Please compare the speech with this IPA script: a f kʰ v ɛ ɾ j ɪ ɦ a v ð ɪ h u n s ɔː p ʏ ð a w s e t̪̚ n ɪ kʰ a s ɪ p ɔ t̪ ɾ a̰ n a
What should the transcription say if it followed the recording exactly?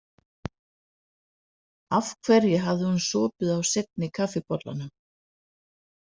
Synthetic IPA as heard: a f kʰ v ɛ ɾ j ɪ ɦ a v ð ɪ h u n s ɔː p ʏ ð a w s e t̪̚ n ɪ kʰ a f ɪ p ɔ t̪ l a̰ n a